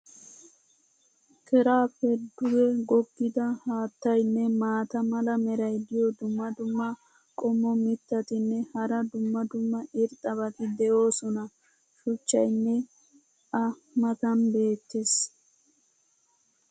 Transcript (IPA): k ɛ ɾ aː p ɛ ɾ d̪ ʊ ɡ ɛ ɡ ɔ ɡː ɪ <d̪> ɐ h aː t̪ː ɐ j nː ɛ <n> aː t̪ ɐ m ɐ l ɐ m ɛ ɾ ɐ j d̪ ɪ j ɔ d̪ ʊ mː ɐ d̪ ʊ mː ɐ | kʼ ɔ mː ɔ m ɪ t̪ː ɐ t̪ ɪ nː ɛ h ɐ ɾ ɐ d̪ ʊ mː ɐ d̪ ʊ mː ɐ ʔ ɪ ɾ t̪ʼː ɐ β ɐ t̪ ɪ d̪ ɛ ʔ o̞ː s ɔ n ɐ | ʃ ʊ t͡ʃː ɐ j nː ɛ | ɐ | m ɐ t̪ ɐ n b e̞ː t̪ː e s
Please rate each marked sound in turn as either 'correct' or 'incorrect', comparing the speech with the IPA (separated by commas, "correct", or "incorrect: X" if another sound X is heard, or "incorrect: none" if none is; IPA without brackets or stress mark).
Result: correct, incorrect: m